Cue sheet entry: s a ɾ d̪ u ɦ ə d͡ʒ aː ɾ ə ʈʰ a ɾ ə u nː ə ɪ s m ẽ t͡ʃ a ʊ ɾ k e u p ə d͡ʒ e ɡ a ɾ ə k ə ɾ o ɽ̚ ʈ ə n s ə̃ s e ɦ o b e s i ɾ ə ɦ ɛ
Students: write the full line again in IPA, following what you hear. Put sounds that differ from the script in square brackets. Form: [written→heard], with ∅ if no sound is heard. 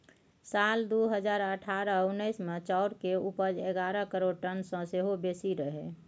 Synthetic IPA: s a [ɾ→l] d̪ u ɦ ə d͡ʒ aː ɾ ə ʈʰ a ɾ ə u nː ə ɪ s m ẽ t͡ʃ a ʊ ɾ k e u p ə d͡ʒ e ɡ a ɾ ə k ə ɾ o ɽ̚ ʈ ə n s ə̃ s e ɦ o b e s i ɾ ə ɦ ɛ

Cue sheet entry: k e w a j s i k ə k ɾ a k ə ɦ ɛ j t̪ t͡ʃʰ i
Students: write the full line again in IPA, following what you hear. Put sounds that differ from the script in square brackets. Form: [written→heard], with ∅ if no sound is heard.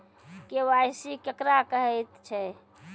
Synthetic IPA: k e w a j s i k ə k ɾ a k ə ɦ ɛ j t̪ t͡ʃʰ [i→ɛ]

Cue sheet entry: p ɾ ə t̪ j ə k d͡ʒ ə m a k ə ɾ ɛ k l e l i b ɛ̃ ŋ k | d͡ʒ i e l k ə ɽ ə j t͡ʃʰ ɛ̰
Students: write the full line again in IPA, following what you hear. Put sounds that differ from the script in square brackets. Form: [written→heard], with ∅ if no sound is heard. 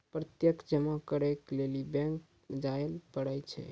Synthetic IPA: p ɾ ə t̪ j ə k d͡ʒ ə m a k ə ɾ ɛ k l e l i b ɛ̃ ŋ k | d͡ʒ [i→a] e l [k→p] ə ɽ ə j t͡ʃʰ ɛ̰

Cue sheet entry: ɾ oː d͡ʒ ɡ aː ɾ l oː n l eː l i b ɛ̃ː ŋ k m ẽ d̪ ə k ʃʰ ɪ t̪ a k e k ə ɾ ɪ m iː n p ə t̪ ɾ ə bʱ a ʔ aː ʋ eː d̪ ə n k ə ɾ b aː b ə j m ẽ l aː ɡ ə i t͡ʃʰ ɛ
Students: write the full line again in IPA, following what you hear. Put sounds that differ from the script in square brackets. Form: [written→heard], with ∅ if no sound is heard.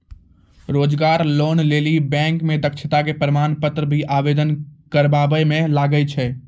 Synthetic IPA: ɾ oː d͡ʒ ɡ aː ɾ l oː n l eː l i b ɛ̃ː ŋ k m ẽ d̪ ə k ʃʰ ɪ t̪ a k e [k→p] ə ɾ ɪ m [iː→aː] n p ə t̪ ɾ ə bʱ [a→i] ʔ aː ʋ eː d̪ ə n k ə ɾ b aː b ə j m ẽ l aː ɡ ə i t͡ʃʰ ɛ

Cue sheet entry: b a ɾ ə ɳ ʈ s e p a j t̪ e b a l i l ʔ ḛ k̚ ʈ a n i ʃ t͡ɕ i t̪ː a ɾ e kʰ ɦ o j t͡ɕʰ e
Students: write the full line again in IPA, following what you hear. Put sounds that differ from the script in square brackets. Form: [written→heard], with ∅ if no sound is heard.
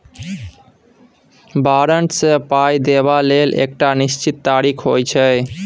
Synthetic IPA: b a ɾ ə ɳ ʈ s e p a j [t̪→d̪] e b a l [i→e] l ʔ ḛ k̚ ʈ a n i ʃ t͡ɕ i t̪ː a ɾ [e→i] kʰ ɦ o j t͡ɕʰ e

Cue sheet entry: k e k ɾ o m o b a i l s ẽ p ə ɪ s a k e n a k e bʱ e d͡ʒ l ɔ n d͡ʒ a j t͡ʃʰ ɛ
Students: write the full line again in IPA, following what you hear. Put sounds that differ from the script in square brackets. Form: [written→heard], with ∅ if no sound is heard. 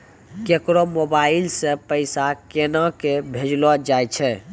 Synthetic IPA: k e k ɾ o m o b a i l s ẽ p ə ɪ s a k e n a k e bʱ e d͡ʒ l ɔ [n→∅] d͡ʒ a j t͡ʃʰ ɛ

